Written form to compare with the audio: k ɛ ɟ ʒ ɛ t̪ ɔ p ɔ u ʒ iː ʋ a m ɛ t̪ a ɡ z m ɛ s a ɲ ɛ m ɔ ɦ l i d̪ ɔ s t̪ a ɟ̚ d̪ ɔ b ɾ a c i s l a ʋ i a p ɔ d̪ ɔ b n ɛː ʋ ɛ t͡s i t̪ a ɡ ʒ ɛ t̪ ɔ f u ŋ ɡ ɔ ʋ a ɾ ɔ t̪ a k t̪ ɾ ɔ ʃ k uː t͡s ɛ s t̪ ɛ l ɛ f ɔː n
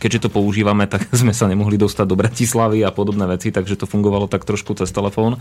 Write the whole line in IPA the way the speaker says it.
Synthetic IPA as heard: k ɛ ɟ ʒ ɛ t̪ ɔ p ɔ u ʒ iː ʋ a m ɛ t̪ a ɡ z m ɛ s a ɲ ɛ m ɔ ɦ l i d̪ ɔ s t̪ a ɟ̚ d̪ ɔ b ɾ a c i s l a ʋ i a p ɔ d̪ ɔ b n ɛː ʋ ɛ t͡s i t̪ a ɡ ʒ ɛ t̪ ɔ f u ŋ ɡ ɔ ʋ a l ɔ t̪ a k t̪ ɾ ɔ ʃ k u t͡s ɛ s t̪ ɛ l ɛ f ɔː n